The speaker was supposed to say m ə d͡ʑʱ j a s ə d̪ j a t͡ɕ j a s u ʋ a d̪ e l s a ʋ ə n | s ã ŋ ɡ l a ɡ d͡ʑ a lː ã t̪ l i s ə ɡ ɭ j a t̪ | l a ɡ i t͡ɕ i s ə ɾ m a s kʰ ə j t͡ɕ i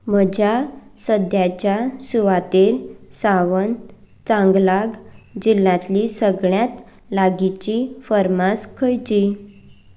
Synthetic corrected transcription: m ə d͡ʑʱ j a s ə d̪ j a t͡ɕ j a s u ʋ a t̪ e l s a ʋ ə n | t͡s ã ŋ ɡ l a ɡ d͡ʑ i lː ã t̪ l i s ə ɡ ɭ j a t̪ | l a ɡ i t͡ɕ i f ə ɾ m a s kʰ ə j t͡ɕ i